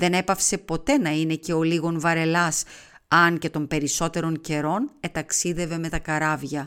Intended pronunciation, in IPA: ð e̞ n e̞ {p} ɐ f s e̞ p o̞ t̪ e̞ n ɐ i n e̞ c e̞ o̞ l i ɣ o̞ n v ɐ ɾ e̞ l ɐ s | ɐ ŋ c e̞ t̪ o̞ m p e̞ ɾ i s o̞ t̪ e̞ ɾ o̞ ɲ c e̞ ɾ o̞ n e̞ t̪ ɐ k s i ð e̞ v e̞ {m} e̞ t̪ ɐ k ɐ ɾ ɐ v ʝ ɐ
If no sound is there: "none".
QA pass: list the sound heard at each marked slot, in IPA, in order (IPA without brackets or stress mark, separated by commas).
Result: p, m